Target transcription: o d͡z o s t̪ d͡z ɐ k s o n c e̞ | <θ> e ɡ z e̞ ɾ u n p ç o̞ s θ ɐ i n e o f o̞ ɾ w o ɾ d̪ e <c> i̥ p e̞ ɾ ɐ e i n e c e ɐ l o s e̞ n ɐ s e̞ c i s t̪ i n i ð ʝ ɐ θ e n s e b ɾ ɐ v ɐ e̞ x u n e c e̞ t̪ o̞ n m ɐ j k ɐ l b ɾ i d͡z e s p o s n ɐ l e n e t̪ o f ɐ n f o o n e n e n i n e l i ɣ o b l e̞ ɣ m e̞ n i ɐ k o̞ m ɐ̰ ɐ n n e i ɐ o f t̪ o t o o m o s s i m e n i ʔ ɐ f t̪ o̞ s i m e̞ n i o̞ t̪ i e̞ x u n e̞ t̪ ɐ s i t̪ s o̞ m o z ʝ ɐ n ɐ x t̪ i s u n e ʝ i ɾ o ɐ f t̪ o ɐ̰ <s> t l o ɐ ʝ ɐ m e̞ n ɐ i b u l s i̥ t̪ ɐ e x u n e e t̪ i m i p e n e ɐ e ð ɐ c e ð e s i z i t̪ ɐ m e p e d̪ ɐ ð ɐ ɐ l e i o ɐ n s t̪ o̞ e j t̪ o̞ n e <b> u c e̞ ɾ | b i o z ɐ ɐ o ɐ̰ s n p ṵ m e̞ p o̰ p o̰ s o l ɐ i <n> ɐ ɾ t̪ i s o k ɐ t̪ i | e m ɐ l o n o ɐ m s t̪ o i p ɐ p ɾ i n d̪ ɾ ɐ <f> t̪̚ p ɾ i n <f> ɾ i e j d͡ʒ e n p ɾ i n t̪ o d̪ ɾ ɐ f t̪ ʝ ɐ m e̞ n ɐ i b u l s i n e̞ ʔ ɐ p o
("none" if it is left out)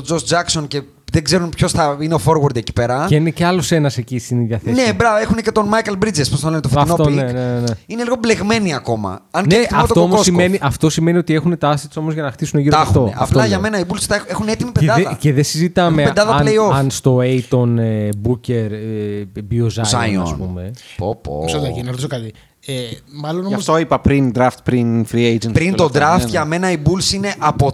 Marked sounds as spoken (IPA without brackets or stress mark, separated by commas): ð, c, f, b, n, f, f